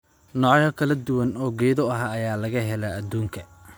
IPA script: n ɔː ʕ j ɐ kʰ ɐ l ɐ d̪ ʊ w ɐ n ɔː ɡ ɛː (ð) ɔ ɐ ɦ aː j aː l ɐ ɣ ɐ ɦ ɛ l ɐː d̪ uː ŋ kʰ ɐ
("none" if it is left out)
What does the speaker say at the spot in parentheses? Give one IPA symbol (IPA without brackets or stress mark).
ð